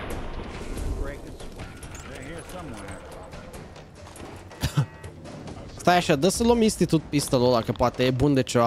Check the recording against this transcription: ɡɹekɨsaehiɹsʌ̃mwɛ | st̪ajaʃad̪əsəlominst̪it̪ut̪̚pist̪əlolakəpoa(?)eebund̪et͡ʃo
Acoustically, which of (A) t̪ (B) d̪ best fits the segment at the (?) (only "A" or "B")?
A